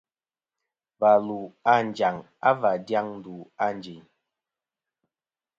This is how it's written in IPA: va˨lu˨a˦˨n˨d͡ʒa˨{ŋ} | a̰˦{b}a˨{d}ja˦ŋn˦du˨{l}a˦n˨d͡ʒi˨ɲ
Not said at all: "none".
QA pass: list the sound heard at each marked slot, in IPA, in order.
ŋ, v, d, none

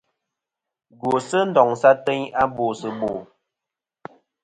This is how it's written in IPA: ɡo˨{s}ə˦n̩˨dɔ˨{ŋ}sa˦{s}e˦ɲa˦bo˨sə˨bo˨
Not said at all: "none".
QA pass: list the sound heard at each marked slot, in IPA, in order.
s, ŋ, t

